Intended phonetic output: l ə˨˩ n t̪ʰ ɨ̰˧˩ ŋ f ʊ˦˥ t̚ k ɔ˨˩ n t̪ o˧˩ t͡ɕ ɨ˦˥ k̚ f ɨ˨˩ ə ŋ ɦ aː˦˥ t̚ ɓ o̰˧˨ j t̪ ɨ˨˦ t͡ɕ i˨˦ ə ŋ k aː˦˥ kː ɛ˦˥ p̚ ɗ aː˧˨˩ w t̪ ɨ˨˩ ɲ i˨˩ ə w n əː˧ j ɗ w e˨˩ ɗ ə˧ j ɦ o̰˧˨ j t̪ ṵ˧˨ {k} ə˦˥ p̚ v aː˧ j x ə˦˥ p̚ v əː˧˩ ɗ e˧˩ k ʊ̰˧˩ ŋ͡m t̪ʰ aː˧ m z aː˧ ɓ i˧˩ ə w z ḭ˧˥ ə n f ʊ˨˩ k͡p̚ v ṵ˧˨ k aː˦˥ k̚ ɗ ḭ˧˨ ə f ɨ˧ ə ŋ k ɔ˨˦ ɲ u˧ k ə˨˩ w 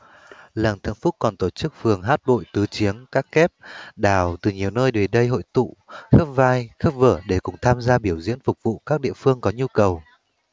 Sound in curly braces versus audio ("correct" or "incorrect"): incorrect